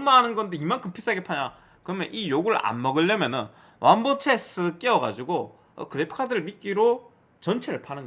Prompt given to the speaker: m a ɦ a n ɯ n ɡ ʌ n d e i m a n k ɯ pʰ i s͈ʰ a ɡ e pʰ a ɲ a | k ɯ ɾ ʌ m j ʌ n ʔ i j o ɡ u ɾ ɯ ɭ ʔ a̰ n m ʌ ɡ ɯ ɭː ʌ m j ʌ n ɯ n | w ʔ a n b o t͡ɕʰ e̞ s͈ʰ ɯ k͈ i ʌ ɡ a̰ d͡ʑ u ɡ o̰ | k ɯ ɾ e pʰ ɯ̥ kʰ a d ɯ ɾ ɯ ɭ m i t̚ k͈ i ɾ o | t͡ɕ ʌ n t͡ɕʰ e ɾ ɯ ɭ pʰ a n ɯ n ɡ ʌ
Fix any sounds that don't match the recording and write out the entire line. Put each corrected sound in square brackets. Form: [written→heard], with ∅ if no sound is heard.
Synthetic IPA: m a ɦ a n ɯ n ɡ ʌ n d e i m a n k ɯ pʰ i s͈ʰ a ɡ e pʰ a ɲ a | k ɯ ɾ ʌ m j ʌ n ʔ i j o ɡ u ɾ ɯ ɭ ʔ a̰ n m ʌ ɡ ɯ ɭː ʌ m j ʌ n ɯ n | w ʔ a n b o t͡ɕʰ e̞ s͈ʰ ɯ k͈ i ʌ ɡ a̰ d͡ʑ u ɡ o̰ | k ɯ ɾ e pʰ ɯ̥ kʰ a d ɯ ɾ ɯ ɭ m i t̚ k͈ i ɾ o | t͡ɕ ʌ n t͡ɕʰ e ɾ ɯ ɭ pʰ a n ɯ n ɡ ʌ